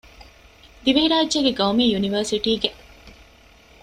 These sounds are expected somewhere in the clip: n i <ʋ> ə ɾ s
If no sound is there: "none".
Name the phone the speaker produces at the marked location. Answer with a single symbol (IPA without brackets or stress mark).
ʋ